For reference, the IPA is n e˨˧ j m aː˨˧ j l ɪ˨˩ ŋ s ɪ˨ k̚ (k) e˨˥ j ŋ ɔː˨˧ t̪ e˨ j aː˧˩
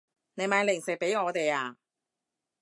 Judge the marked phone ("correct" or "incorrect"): incorrect